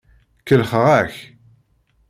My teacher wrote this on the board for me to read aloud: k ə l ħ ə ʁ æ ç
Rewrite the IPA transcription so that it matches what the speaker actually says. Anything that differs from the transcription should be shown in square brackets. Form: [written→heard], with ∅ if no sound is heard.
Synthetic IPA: k ə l [ħ→χ] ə ʁ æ ç